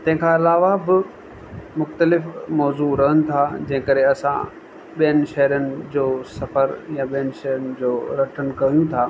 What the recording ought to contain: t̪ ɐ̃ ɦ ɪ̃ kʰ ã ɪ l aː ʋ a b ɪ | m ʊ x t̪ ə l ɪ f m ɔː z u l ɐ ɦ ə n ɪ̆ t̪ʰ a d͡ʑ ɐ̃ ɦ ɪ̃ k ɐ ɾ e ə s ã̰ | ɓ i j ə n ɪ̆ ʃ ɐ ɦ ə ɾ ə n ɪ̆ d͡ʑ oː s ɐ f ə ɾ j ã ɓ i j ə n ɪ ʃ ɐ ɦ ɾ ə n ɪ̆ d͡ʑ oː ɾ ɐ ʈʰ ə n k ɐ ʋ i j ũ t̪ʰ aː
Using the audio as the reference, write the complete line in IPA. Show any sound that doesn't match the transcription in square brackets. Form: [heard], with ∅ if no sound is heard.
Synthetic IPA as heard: t̪ ɐ̃ ɦ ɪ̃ kʰ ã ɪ l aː ʋ a b ɪ | m ʊ x t̪ ə l ɪ f m ɔː z u [ɾ] ɐ ɦ ə n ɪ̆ t̪ʰ a d͡ʑ ɐ̃ ɦ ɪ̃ k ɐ ɾ e [ɐ] s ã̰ | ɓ i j ə n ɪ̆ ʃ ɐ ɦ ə ɾ ə n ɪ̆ d͡ʑ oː s ɐ f ə ɾ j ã ɓ i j ə n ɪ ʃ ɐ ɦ ɾ ə n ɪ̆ d͡ʑ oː ɾ ɐ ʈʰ ə n k ɐ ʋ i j ũ t̪ʰ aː